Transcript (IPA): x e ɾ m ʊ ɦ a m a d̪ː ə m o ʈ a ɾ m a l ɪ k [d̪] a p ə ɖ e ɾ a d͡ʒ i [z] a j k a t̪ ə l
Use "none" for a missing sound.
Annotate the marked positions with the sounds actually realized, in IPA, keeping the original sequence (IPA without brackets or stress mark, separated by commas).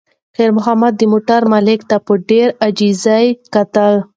t̪, z